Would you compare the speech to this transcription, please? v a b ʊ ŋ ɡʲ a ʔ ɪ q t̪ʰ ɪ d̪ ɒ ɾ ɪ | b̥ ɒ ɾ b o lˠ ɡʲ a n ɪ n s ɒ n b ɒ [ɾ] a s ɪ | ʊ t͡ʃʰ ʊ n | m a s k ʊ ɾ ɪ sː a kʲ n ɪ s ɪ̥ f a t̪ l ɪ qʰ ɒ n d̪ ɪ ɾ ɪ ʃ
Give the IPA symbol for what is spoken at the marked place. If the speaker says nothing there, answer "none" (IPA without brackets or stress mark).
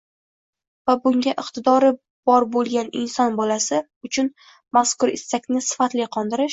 l